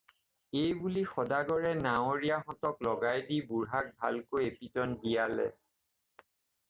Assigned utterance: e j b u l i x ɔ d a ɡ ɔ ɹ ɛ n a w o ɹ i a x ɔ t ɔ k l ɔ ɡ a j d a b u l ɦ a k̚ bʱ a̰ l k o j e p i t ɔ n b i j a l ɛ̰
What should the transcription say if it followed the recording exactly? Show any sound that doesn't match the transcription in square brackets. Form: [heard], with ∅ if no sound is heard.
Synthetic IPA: e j b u l i x ɔ d a ɡ ɔ ɹ ɛ n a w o ɹ i a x ɔ t ɔ k l ɔ ɡ a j d [i] b u [ɹ] ɦ a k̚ bʱ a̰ l k o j e p i t ɔ n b i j a l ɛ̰